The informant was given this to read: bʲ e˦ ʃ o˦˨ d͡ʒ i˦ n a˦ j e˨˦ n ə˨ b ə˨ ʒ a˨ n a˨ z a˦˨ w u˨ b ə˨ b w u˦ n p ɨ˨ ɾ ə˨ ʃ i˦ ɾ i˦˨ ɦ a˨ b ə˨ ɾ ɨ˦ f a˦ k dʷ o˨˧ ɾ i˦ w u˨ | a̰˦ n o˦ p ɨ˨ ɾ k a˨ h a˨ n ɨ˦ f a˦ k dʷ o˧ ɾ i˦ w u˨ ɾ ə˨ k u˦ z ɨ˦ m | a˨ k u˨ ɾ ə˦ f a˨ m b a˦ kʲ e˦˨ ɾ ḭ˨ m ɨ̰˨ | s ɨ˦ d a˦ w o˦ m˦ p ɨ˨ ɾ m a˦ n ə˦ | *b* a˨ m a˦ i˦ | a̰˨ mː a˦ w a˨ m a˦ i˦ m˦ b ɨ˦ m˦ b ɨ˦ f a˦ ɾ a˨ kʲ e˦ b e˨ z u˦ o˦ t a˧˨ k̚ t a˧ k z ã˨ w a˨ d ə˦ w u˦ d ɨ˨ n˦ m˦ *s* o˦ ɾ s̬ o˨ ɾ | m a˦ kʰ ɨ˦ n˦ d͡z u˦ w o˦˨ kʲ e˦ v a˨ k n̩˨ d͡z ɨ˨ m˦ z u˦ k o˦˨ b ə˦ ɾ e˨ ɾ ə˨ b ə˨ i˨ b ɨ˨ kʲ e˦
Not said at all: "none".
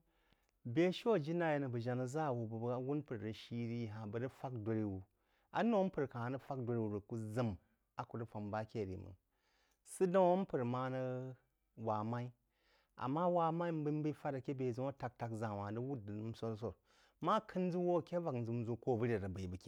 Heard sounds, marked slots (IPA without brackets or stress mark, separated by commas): w, s